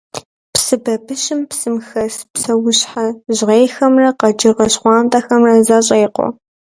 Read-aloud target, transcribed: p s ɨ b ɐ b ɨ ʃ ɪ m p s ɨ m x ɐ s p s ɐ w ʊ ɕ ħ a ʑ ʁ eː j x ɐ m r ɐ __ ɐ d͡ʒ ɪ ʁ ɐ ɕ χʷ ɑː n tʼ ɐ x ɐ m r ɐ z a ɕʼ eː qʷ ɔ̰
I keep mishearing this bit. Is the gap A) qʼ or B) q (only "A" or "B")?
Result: B